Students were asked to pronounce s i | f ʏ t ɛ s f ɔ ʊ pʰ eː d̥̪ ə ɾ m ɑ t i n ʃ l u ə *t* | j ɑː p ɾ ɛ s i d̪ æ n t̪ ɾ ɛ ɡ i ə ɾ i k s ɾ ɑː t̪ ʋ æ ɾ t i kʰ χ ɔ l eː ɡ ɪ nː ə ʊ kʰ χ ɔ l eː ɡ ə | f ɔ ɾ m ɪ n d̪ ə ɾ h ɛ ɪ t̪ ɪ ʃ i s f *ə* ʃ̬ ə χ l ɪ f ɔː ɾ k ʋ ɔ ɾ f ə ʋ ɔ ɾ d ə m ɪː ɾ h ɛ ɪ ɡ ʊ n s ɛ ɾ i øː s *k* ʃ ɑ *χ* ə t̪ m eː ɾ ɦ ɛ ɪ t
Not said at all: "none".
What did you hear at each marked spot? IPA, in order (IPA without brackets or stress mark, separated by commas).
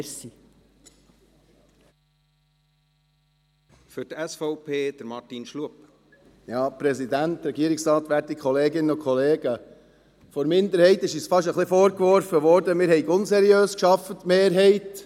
p, ɑ, k, f